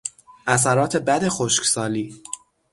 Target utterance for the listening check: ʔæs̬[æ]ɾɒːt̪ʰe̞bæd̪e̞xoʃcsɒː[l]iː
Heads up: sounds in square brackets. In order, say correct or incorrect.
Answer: correct, correct

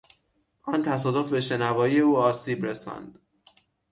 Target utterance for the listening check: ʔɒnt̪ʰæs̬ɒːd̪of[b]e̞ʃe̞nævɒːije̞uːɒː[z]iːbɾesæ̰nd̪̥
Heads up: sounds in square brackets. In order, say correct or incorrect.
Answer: correct, incorrect: s

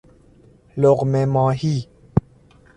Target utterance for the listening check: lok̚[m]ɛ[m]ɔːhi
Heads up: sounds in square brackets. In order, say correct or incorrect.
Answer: correct, correct

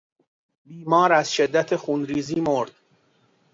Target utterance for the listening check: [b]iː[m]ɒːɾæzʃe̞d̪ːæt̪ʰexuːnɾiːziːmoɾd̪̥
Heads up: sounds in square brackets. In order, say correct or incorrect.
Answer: correct, correct

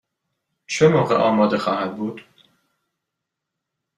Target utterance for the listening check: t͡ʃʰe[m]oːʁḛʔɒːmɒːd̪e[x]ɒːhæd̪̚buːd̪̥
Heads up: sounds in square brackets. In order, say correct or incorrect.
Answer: correct, correct

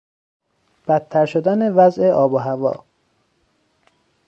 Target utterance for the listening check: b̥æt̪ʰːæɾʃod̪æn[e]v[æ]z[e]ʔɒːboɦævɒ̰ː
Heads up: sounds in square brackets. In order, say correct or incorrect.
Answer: correct, correct, correct

